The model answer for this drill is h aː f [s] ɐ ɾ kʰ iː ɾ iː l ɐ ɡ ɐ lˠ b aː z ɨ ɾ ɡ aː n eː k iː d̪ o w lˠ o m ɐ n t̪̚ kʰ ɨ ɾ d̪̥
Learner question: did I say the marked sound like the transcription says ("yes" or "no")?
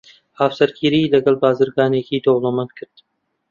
yes